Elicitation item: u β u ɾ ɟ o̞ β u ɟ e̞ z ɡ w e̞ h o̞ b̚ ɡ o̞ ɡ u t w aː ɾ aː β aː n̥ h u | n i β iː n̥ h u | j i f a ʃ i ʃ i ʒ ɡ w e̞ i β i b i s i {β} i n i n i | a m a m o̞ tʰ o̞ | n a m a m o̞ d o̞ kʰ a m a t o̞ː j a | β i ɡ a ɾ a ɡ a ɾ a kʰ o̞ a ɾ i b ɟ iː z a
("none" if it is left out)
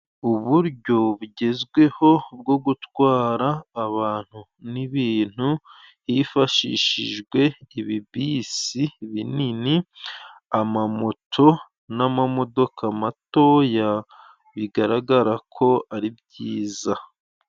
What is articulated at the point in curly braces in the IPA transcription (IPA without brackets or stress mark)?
β